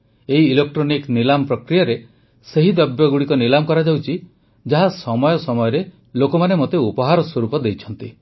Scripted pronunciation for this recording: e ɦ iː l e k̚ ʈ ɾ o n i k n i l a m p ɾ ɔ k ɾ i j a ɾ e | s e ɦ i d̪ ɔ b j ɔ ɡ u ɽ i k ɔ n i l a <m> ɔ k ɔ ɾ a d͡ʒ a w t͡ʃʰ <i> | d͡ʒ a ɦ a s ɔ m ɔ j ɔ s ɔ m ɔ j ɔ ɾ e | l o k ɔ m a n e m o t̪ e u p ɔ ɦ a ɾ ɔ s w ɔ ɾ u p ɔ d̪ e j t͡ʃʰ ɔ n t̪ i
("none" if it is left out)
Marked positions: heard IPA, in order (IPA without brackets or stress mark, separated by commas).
m, i